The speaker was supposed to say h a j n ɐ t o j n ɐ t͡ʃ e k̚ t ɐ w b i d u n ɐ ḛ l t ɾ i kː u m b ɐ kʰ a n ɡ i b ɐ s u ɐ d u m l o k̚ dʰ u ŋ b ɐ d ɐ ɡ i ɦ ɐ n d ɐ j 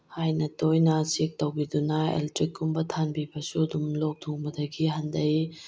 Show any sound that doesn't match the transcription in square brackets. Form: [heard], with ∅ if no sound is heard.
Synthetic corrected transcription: h a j n ɐ t o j n ɐ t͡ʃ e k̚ t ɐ w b i d u n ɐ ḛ l t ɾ i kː u m b ɐ [tʰ] a n [b] i b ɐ s u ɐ d u m l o k̚ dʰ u ŋ b ɐ d ɐ ɡ i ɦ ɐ n d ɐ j